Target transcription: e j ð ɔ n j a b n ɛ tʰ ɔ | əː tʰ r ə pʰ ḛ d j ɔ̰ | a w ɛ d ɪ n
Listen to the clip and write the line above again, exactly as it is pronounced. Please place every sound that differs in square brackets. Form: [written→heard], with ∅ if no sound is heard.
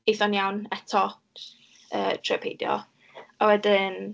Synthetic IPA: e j [ð→θ] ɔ n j a [b→w] n ɛ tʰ ɔ | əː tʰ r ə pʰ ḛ d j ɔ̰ | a w ɛ d ɪ n